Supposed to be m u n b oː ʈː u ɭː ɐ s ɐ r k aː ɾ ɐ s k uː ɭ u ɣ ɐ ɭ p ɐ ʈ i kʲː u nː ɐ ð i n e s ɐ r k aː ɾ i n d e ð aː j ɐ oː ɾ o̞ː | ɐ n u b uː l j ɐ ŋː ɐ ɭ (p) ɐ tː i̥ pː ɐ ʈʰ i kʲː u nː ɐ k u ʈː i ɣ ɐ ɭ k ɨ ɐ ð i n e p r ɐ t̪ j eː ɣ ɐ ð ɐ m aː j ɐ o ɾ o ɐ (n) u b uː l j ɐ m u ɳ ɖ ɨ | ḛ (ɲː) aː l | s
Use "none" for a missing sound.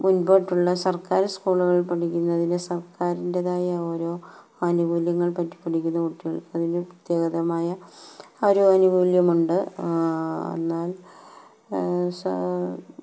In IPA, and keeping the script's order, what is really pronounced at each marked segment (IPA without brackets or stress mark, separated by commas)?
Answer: p, n, nː